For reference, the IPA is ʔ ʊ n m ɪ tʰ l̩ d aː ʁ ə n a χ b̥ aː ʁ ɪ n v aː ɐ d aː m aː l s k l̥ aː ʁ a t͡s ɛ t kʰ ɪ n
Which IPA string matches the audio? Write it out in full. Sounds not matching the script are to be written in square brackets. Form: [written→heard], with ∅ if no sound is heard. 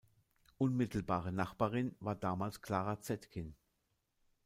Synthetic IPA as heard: ʔ ʊ n m ɪ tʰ l̩ [d→b] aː ʁ ə n a χ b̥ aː ʁ ɪ n v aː ɐ d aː m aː l s k l̥ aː ʁ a t͡s ɛ t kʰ ɪ n